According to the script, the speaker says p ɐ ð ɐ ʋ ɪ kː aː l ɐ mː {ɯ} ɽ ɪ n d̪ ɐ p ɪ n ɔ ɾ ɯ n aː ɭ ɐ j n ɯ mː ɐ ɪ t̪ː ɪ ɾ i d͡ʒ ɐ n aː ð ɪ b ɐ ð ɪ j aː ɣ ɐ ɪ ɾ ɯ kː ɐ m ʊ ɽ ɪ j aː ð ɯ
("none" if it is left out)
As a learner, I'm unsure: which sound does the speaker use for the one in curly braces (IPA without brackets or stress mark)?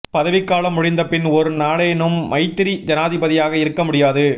ʊ